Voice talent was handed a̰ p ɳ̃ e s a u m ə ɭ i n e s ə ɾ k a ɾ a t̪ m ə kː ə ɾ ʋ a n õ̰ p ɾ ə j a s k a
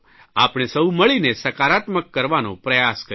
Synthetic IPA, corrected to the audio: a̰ p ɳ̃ e s ə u m ə ɭ i n e s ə k a ɾ a t̪ m ə kː ə ɾ ʋ a n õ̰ p ɾ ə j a s k ə

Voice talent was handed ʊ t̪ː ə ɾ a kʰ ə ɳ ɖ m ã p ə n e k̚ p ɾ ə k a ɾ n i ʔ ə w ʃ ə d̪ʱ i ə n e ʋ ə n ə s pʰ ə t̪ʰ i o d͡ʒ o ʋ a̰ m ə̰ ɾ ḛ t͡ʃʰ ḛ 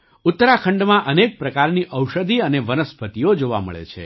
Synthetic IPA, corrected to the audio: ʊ t̪ː ə ɾ a kʰ ə ɳ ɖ m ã ʔ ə n e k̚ p ɾ ə k a ɾ n i ʔ ə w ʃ ə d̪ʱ i ə n e ʋ ə n ə s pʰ ə t̪ i o d͡ʒ o ʋ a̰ m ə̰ ɭ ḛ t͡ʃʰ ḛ

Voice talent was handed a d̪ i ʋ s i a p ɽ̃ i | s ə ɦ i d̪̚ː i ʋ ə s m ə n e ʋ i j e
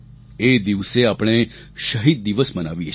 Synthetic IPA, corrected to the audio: e d̪ i ʋ s e a p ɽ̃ e | ʃ ə ɦ i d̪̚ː i ʋ ə s m ə n a ʋ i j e

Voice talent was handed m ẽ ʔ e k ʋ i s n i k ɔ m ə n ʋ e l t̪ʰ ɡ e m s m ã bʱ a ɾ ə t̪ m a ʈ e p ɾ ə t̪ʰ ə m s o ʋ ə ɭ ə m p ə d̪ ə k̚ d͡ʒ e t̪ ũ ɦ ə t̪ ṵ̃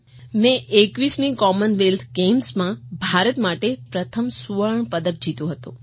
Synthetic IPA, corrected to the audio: m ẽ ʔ e k ʋ i s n i k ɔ m ə n ʋ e l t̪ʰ ɡ e m s m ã bʱ a ɾ ə t̪ m a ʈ e p ɾ ə t̪ʰ ə m s u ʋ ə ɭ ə ɳ p ə d̪ ə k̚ d͡ʒ i t̪ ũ ɦ ə t̪ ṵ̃

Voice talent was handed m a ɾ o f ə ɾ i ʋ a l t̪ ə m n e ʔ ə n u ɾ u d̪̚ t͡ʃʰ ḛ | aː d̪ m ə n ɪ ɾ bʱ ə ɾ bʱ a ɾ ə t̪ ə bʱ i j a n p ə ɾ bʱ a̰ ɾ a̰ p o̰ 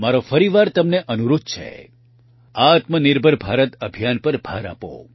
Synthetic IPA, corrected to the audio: m a ɾ o f ə ɾ i ʋ a ɾ t̪ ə m n e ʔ ə n u ɾ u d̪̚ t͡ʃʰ ḛ | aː t̪ m ə n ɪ ɾ bʱ ə ɾ bʱ a ɾ ə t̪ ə bʱ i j a n p ə ɾ bʱ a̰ ɾ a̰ p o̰

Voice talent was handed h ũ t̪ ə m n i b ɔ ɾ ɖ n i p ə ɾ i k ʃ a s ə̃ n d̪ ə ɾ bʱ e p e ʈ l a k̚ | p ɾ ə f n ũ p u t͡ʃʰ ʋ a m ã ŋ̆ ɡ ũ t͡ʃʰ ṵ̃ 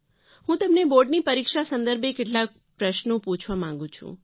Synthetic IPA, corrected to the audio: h ũ t̪ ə m n e b o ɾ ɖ n i p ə ɾ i k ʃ a s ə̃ n d̪ ə ɾ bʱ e k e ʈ l a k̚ | p ɾ ə ʃ n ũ p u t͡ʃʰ ʋ a m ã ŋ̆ ɡ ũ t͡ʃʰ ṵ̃

